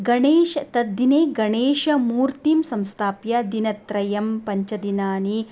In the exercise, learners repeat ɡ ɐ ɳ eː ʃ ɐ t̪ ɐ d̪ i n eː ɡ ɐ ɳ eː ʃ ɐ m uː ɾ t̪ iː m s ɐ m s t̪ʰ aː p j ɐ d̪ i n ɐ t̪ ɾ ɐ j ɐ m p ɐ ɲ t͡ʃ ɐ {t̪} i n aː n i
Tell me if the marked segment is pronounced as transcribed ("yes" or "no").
no